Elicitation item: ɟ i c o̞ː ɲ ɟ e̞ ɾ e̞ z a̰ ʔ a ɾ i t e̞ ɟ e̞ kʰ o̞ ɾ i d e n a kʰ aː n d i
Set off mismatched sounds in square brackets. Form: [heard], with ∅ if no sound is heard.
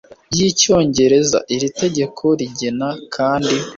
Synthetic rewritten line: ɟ i c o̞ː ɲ ɟ e̞ ɾ e̞ z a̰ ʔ [i] ɾ i t e̞ ɟ e̞ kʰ o̞ ɾ i [ɟ] e n a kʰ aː n d i